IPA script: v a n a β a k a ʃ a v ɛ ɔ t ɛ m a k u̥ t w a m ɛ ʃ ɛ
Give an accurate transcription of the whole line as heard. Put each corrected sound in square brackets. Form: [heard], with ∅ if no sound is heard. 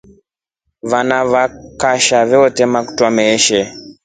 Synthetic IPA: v a n a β a k a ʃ a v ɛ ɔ t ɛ m a k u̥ t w a m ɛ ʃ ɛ

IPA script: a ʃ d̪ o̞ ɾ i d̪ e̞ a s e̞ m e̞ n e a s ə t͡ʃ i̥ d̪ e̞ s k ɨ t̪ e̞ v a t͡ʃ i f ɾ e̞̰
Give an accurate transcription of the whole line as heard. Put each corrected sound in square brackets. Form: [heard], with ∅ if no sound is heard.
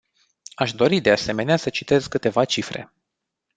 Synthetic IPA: a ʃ d̪ o̞ ɾ i d̪ e̞ a s e̞ m e̞ n e a s ə t͡ʃ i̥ [t̪] e̞ [z] k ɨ t̪ e̞ v a t͡ʃ i f ɾ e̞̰

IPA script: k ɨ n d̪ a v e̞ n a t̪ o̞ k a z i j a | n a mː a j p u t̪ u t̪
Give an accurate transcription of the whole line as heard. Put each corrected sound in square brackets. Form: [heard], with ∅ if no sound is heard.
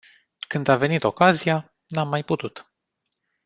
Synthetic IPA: k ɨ n d̪ a v e̞ n [i] t̪ o̞ k a z i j a | n a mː a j p u t̪ u t̪

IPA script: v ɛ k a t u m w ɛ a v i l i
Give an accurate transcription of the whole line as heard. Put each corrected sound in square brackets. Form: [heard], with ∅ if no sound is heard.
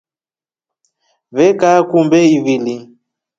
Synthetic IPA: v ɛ k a [k] u m [b] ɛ [i] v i l i

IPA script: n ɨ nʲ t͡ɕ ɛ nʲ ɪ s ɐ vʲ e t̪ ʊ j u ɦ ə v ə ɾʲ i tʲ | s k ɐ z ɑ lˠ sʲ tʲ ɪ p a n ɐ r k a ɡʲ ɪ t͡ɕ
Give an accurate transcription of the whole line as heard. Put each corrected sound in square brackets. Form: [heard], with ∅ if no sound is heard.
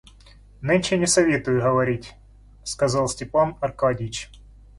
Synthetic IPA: n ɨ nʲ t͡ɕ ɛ nʲ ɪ s ɐ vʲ e t̪ ʊ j [ʊ] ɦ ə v [ɐ] ɾʲ i tʲ | s k ɐ z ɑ lˠ sʲ tʲ ɪ p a n ɐ r k a [dʲ] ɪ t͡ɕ

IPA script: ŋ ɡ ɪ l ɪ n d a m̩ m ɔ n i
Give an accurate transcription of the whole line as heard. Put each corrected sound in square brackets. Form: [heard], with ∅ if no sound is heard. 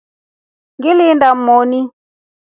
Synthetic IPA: ŋ ɡ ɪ l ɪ n d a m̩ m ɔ n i

